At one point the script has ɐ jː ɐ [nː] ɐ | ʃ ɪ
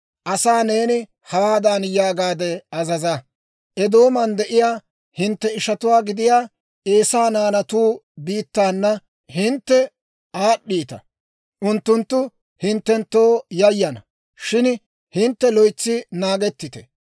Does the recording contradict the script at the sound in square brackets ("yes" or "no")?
yes